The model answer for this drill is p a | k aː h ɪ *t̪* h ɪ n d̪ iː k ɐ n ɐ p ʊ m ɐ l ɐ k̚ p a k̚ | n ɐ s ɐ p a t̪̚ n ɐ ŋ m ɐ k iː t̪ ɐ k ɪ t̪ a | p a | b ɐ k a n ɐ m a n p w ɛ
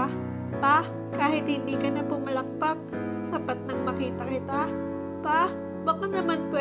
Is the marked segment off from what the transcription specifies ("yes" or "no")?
no